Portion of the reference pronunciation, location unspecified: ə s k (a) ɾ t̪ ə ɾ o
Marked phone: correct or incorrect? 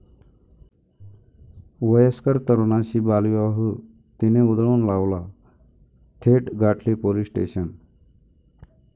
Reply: incorrect